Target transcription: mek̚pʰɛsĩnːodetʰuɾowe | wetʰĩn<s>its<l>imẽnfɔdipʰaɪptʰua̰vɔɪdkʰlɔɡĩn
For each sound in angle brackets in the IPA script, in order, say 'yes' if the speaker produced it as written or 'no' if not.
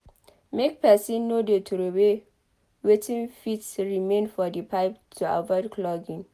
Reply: no, no

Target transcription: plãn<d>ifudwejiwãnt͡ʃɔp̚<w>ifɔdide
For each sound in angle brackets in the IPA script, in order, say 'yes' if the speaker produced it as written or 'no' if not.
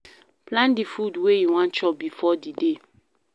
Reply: yes, no

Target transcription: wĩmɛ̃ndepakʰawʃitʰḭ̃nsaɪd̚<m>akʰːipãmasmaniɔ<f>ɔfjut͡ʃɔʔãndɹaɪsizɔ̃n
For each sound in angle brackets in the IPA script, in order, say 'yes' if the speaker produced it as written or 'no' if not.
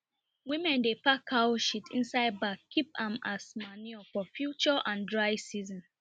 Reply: no, yes

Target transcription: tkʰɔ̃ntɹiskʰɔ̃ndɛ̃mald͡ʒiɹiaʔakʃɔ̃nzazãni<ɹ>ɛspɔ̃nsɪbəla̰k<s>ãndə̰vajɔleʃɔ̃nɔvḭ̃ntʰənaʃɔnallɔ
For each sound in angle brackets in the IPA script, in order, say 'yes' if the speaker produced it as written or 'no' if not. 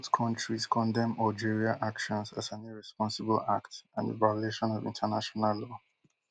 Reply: yes, no

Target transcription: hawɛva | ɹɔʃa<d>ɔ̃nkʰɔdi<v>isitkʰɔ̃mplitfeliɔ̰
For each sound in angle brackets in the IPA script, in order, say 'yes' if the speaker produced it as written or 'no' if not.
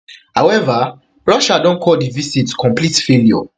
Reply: yes, yes

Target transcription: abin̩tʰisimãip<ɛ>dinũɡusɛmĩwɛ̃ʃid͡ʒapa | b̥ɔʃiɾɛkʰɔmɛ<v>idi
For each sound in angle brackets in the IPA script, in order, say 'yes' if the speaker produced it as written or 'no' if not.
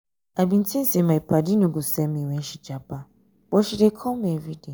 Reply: no, yes

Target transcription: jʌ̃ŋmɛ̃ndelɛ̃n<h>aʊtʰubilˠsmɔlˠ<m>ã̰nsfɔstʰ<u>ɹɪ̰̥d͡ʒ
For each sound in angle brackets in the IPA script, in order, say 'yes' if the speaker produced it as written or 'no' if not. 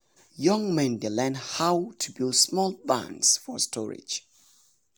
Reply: yes, no, no

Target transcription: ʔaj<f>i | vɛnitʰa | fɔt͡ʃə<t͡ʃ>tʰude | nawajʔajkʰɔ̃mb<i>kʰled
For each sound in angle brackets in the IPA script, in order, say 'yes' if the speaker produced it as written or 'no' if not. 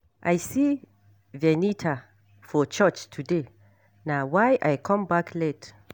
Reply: no, yes, no

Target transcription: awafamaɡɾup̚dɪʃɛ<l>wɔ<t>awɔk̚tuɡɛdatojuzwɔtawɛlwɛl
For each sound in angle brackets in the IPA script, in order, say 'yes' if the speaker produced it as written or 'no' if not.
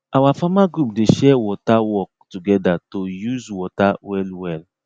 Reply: no, yes

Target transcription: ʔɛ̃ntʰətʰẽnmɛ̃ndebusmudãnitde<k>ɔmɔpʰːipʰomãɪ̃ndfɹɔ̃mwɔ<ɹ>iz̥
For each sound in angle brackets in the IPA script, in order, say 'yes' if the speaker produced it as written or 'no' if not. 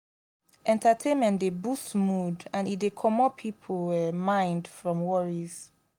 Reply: no, yes

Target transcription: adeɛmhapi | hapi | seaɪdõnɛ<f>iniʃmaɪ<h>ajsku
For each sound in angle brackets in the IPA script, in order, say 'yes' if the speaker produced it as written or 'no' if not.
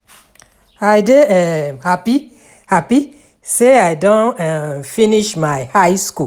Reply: yes, yes

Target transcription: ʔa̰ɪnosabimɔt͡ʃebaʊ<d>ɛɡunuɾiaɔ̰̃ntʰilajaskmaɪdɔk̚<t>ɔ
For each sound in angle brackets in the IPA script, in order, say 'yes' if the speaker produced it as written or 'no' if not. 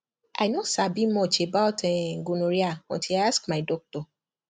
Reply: no, yes

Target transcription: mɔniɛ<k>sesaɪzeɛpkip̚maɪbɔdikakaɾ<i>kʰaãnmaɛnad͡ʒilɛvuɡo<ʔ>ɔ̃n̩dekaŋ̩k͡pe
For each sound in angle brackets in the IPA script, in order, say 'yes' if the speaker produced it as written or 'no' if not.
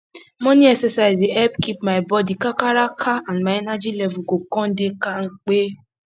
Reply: yes, no, no

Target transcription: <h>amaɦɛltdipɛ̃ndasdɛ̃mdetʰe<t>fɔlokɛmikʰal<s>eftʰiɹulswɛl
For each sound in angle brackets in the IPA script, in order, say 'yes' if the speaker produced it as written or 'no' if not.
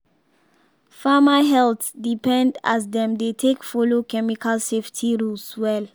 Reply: no, no, yes

